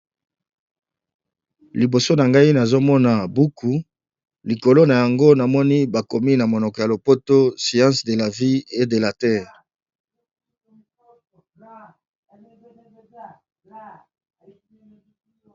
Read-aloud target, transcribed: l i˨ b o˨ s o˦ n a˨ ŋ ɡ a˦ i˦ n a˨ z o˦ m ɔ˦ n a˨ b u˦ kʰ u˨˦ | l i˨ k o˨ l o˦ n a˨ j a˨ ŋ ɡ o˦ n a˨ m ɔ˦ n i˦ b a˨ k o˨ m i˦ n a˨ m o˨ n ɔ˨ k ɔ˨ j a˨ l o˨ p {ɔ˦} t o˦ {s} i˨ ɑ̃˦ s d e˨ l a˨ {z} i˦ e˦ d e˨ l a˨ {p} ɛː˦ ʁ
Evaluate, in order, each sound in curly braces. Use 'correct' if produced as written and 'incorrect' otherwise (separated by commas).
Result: incorrect, correct, incorrect, incorrect